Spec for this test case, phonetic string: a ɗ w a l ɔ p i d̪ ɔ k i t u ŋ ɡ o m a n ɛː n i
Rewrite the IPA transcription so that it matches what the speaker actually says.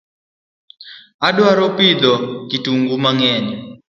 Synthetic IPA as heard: a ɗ w a ɾ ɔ p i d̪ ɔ k i t u ŋ ɡ u m a ŋ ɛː n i